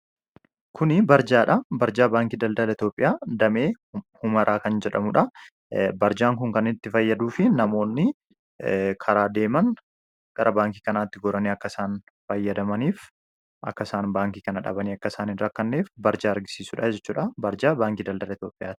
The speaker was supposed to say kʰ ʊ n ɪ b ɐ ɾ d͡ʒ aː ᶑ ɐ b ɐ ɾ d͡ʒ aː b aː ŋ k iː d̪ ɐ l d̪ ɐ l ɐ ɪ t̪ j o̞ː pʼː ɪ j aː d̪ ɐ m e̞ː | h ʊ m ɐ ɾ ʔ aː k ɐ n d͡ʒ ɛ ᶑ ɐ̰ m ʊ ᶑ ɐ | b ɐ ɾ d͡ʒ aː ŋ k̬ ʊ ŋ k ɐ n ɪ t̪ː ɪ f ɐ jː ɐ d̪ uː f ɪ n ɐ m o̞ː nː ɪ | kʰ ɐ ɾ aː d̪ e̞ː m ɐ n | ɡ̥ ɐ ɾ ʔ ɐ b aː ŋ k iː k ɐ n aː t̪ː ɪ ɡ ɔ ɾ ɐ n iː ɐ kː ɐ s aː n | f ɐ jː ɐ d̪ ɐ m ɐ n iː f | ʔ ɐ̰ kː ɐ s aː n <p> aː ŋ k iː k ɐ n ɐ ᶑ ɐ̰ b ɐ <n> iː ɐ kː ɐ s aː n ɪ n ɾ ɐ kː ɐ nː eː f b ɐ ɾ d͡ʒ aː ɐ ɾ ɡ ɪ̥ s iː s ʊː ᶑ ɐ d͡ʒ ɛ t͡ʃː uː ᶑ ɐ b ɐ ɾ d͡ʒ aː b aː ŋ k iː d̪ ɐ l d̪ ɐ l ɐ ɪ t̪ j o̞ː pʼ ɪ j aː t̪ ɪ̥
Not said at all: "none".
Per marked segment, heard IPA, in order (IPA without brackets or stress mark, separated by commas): b, n